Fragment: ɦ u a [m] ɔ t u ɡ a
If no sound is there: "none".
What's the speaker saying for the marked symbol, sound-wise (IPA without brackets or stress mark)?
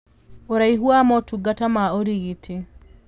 m